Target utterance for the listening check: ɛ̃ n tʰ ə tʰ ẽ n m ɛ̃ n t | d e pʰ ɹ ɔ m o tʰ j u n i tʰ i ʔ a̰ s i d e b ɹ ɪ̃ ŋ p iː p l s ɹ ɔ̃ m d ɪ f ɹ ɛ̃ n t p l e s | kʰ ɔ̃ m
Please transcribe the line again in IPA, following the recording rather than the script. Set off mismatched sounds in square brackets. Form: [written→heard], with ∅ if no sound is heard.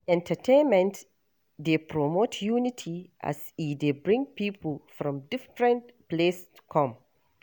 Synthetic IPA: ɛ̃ n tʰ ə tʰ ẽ n m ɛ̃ n t | d e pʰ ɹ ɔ m o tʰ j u n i tʰ i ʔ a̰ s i d e b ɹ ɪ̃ ŋ p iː p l [s→f] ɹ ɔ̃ m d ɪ f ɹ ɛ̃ n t p l e s | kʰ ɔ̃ m